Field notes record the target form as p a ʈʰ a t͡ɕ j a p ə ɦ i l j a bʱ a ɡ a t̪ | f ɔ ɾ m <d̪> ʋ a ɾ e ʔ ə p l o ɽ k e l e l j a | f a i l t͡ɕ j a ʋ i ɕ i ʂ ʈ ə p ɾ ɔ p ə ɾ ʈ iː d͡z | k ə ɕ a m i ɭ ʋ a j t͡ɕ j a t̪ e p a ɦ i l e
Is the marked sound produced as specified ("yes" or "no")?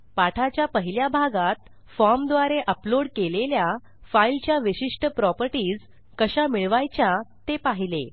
yes